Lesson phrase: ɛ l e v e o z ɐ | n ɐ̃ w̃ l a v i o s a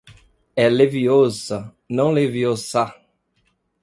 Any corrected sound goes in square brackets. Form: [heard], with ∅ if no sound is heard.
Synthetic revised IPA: ɛ l e v [i] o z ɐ | n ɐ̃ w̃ l [e] v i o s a